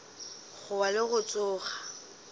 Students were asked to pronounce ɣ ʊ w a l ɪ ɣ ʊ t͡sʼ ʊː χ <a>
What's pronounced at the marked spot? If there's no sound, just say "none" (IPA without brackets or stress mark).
a